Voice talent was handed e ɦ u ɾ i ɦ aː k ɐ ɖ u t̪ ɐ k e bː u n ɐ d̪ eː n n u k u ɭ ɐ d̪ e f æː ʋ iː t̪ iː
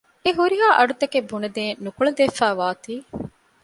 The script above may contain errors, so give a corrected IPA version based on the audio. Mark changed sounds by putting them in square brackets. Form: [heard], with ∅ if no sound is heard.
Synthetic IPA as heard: e ɦ u ɾ i ɦ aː [ʔ] ɐ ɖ u t̪ ɐ k e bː u n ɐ d̪ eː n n u k u ɭ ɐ d̪ e f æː ʋ [aː] t̪ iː